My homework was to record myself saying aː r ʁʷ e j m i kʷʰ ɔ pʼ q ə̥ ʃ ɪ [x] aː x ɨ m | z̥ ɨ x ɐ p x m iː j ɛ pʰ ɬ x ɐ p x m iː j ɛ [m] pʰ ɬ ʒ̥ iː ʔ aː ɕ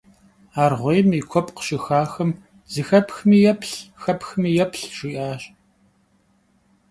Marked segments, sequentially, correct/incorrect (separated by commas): correct, incorrect